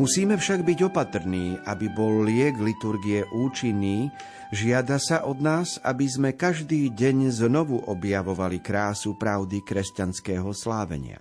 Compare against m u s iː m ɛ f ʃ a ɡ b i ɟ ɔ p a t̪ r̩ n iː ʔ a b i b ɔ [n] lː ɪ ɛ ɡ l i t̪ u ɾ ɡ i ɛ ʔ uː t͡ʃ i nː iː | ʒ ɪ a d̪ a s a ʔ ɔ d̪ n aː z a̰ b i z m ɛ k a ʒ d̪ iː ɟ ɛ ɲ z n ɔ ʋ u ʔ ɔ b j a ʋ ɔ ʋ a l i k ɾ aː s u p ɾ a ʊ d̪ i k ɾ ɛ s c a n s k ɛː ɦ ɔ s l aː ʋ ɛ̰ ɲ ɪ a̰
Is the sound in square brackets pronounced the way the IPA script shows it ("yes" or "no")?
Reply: no